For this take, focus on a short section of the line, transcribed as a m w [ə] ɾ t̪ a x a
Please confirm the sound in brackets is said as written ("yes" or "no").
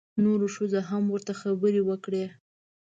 yes